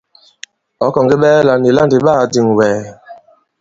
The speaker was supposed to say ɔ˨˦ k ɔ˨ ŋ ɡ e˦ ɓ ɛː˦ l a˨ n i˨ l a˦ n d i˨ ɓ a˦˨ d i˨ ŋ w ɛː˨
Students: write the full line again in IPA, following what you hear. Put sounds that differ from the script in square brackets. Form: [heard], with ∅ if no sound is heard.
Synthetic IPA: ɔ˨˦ k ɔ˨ ŋ ɡ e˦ ɓ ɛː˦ l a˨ n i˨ l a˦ n d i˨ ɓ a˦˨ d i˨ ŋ w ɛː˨